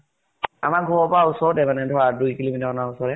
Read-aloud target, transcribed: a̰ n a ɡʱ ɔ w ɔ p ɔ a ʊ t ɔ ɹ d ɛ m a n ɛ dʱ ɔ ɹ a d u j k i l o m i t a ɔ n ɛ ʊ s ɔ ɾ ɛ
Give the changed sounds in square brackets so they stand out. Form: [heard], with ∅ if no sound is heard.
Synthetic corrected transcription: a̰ [m] a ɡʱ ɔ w ɔ p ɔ a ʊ [s] ɔ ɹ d ɛ m a n ɛ dʱ ɔ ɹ a d u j k i l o m i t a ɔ n [a] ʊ s ɔ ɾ ɛ

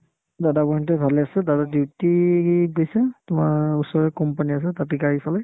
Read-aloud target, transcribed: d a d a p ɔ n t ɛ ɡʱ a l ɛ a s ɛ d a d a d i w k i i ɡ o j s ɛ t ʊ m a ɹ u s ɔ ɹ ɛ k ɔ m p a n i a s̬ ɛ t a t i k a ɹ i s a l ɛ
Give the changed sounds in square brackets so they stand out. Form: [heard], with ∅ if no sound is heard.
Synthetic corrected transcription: d a d a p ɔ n t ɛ [bʱ] a l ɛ a s ɛ d a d a d i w [t] i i ɡ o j s ɛ t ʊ m a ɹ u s ɔ ɹ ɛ k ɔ m p a n i a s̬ ɛ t a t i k a ɹ i s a l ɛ

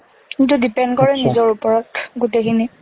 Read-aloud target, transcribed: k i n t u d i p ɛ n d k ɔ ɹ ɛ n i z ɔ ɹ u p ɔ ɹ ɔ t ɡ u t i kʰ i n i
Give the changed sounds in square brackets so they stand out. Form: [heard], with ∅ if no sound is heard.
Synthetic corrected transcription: k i n t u d i p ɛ n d k ɔ ɹ ɛ n i z ɔ ɹ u p ɔ ɹ ɔ t ɡ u t [e] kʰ i n i

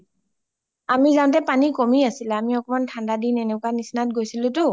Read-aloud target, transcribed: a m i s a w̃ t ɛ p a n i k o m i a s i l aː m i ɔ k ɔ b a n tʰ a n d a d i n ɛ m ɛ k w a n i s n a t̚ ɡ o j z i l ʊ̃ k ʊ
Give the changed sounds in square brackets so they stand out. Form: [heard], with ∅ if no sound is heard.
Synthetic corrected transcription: a m i [z] a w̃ t ɛ p a n i k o m i a s i l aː m i ɔ k ɔ [m] a n tʰ a n d a d i n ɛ [n] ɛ k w a n i s n a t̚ ɡ o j [s] i l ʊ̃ [t] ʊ

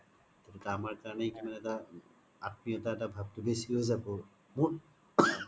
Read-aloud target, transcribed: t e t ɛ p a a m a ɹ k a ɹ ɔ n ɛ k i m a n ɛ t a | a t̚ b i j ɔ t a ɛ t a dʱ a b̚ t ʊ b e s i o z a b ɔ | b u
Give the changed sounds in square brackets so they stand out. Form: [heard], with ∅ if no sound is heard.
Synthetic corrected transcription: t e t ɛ [t] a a m a ɹ k a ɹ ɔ n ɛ k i m a n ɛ t a | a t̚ [m] i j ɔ t a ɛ t a [bʱ] a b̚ t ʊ b e s i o z a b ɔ | [m] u

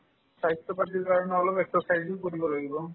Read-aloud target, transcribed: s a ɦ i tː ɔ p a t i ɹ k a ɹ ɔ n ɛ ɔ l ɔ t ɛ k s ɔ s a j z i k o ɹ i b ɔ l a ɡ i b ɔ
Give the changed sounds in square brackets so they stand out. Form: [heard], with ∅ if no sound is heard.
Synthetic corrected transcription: s a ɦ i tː ɔ p a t i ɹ k a ɹ ɔ n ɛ ɔ l ɔ [p] ɛ k s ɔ s a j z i k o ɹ i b ɔ l a ɡ i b ɔ

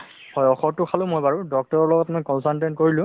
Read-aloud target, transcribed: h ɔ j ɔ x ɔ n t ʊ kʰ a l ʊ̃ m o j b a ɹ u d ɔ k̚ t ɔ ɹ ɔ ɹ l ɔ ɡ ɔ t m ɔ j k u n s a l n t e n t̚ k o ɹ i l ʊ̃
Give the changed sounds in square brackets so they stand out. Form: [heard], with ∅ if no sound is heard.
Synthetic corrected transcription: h ɔ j ɔ x ɔ [∅] t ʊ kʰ a l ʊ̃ m o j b a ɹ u d ɔ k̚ t ɔ ɹ ɔ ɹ l ɔ ɡ ɔ t m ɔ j k [ɔ] n s a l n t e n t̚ k o ɹ i l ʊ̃

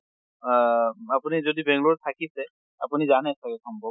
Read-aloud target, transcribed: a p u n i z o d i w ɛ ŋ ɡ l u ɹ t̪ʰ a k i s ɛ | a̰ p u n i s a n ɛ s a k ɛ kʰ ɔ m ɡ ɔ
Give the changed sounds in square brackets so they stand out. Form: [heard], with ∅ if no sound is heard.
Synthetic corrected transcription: a p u n i z o d i [b] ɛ ŋ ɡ l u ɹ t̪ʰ a k i s ɛ | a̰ p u n i [z] a n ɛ s a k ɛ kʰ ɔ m [b] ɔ

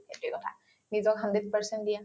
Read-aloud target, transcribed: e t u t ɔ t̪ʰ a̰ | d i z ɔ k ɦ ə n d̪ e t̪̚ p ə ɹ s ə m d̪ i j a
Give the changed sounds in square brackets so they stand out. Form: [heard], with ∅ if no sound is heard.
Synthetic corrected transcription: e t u [k] ɔ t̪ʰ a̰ | [n] i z ɔ k ɦ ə n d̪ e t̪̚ p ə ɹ s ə [n] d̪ i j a

